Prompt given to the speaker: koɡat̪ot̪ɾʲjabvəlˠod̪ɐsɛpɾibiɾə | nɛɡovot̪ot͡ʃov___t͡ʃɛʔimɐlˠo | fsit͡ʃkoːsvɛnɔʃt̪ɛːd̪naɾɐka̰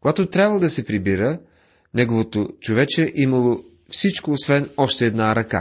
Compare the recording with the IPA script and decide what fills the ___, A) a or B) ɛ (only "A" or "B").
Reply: B